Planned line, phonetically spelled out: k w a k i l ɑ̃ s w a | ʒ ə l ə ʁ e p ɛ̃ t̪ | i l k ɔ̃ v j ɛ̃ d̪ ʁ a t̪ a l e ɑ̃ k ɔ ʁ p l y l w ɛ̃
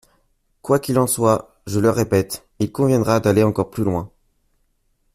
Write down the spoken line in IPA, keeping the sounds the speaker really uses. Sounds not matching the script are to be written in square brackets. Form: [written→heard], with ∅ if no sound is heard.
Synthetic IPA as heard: k w a k i l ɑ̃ s w a | ʒ ə l ə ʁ e p [ɛ̃→ɛ] t̪ | i l k ɔ̃ v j ɛ̃ d̪ ʁ a [t̪→d̪] a l e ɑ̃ k ɔ ʁ p l y l w ɛ̃